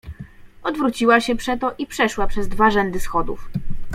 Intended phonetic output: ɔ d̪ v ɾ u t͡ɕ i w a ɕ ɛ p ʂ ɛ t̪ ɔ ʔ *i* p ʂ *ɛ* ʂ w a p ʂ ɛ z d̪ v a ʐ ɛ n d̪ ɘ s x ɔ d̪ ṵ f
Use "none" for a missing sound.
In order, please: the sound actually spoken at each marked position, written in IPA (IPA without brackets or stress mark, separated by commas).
i, ɛ